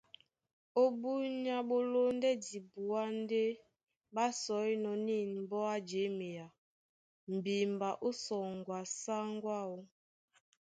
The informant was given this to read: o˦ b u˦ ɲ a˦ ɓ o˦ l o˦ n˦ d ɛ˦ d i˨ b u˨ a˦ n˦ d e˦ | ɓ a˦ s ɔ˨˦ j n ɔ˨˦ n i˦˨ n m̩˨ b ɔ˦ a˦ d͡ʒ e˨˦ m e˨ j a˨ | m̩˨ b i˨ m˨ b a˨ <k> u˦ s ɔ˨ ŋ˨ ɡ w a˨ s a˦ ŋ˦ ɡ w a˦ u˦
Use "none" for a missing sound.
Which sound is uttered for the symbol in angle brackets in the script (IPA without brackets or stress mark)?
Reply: ʔ